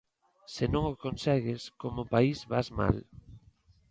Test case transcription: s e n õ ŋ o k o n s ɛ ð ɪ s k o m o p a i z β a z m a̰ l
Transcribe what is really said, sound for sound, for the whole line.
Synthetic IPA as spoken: s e n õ ŋ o k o n s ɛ ɣ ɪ s k o m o p a i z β a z m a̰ l

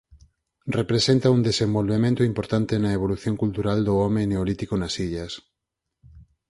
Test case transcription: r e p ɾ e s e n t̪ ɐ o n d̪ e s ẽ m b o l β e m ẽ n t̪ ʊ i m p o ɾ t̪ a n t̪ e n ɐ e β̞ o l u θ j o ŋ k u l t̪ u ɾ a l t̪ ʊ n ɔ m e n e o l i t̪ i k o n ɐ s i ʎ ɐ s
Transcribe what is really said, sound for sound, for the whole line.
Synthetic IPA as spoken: r e p ɾ e s e n t̪ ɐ u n d̪ e s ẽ m b o l β e m ẽ n t̪ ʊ i m p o ɾ t̪ a n t̪ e n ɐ e β̞ o l u θ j o ŋ k u l t̪ u ɾ a l d̪ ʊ ɔ m e n e o l i t̪ i k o n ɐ s i ʎ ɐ s

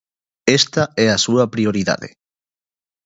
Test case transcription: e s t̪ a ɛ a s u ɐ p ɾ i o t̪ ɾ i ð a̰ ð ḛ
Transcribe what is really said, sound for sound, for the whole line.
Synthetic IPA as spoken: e s t̪ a ɛ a s u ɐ p ɾ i o ɾ i ð a̰ ð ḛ

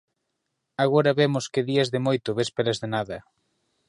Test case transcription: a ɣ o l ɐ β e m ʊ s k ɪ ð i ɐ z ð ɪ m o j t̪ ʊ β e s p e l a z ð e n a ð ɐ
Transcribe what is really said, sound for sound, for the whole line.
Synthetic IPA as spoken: a ɣ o ɾ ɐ β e m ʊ s k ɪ ð i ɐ z ð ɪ m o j t̪ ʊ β e s p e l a z ð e n a ð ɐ

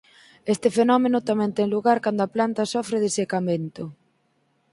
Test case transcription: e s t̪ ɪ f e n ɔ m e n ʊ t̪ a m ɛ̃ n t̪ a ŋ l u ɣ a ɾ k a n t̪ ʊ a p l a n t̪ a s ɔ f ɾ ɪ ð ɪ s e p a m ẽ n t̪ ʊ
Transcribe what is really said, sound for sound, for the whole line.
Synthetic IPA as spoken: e s t̪ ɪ f e n ɔ m e n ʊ t̪ a m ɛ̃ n t̪ ɛ ŋ l u ɣ a ɾ k a n d̪ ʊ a p l a n t̪ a s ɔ f ɾ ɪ ð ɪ s e k a m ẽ n t̪ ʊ

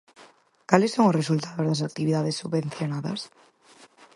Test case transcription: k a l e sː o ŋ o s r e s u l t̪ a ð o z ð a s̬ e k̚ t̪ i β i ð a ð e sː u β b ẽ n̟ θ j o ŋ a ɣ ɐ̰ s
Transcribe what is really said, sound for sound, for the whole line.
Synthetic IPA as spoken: k a l e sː o ŋ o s r e s u l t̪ a ð o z ð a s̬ a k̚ t̪ i β i ð a ð e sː u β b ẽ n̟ θ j o n a ð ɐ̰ s

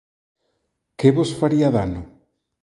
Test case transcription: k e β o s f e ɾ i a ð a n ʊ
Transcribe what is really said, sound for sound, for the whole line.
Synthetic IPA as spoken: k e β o s f a ɾ i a ð a n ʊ

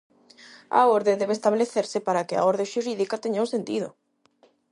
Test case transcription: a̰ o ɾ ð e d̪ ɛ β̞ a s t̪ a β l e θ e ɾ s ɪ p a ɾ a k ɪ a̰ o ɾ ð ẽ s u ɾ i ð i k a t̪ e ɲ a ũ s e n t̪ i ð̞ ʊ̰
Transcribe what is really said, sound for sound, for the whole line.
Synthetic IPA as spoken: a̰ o ɾ ð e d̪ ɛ β̞ e s t̪ a β l e θ e ɾ s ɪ p a ɾ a k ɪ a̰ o ɾ ð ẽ ʃ u ɾ i ð i k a t̪ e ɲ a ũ s e n t̪ i ð̞ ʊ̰

